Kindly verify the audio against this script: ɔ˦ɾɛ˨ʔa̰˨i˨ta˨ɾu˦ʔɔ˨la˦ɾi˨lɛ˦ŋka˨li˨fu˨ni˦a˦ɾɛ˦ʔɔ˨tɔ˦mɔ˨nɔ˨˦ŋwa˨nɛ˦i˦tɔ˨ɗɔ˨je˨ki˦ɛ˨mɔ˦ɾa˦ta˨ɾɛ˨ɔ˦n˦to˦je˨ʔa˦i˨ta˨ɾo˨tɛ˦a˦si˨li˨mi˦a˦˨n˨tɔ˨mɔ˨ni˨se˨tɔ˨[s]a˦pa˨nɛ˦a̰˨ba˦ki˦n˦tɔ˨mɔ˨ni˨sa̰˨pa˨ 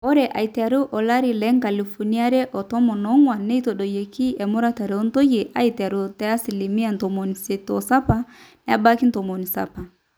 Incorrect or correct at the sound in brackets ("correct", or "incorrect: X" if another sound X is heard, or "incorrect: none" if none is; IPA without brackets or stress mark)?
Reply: correct